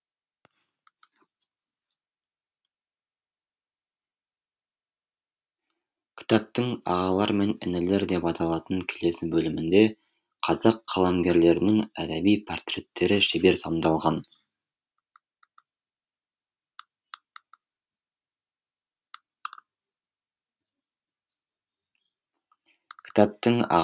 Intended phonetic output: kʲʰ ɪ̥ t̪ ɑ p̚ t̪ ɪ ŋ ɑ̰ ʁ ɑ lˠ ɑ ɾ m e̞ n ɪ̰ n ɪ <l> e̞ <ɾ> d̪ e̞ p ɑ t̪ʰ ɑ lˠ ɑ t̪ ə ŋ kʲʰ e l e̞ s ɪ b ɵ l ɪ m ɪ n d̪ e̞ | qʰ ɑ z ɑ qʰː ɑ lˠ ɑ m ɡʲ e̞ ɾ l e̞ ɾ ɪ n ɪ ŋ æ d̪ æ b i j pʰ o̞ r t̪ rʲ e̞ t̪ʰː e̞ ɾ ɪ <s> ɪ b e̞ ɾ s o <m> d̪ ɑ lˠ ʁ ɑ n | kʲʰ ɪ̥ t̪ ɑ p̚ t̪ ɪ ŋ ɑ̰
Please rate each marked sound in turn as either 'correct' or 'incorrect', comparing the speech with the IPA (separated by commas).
correct, correct, incorrect, correct